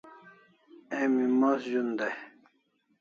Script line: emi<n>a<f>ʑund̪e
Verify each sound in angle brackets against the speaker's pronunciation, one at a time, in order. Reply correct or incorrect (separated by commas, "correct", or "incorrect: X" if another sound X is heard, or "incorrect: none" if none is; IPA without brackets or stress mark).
incorrect: m, incorrect: s